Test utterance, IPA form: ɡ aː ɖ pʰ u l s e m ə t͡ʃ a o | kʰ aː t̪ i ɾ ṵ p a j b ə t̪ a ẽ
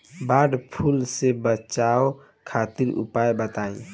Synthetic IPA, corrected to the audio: b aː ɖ pʰ u l s e b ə t͡ʃ a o | kʰ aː t̪ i ɾ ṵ p a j b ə t̪ a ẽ